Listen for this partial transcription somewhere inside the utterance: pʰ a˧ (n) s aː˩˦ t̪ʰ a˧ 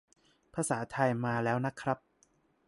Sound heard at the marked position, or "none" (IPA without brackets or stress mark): none